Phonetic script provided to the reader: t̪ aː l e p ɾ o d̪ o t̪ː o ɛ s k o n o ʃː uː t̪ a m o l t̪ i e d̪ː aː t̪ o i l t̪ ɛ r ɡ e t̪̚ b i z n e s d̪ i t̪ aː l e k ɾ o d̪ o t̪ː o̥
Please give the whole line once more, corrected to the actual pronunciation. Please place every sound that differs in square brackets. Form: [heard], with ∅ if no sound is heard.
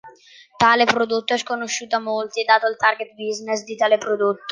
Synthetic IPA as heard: t̪ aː l e p ɾ o d̪ o t̪ː o ɛ s k o n o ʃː uː t̪ a m o l t̪ i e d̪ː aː t̪ o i l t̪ [a] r ɡ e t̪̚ b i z n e s d̪ i t̪ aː l e [p] ɾ o d̪ o t̪ː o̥